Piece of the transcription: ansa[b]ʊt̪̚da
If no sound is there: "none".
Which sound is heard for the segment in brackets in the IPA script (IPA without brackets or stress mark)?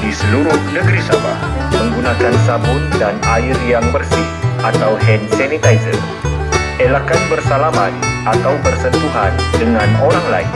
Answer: b